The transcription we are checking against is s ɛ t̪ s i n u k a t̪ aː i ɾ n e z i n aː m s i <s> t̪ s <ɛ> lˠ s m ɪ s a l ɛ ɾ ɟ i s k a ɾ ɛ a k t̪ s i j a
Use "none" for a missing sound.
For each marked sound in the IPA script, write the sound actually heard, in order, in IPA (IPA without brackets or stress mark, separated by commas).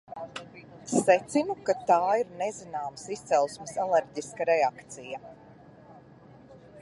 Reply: s, ɛ